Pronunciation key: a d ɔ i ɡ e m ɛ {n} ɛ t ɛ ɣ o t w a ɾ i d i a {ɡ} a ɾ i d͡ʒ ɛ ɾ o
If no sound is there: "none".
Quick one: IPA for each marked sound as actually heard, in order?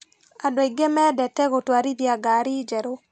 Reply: d, ɡ

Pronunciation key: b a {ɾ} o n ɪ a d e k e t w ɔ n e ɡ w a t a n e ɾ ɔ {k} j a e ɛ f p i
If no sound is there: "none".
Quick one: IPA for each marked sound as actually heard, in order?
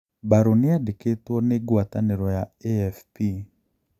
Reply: ɾ, none

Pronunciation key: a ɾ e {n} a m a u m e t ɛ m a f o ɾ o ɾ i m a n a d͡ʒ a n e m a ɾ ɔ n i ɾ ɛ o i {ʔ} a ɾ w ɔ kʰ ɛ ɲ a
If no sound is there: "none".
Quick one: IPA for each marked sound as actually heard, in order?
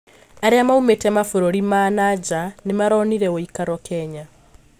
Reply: none, k

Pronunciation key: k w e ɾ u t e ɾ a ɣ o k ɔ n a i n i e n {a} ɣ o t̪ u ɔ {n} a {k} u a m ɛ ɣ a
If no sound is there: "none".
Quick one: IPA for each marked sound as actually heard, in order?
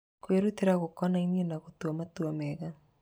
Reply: a, m, t

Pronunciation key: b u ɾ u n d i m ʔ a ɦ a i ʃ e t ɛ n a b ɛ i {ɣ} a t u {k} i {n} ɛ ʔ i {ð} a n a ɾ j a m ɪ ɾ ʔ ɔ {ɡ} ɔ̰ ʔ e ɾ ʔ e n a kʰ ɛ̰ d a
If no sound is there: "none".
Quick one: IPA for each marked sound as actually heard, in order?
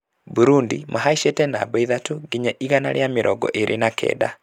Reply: ð, ɡ, ɲ, ɣ, ɡ

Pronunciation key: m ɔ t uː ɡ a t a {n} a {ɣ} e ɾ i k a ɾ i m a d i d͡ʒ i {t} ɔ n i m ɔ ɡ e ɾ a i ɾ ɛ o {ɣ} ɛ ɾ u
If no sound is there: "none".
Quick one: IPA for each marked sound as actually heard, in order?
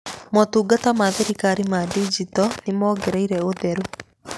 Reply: m, ð, t, ð

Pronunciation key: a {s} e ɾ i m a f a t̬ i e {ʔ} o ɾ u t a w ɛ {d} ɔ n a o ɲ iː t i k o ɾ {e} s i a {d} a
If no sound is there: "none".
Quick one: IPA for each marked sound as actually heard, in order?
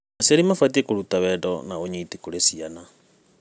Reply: s, k, d, e, n

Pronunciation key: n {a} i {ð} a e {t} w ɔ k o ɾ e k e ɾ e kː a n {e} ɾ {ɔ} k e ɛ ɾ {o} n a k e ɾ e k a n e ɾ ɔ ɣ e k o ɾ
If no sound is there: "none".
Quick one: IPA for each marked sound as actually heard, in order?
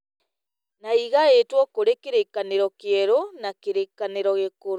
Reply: a, ɣ, t, e, ɔ, o

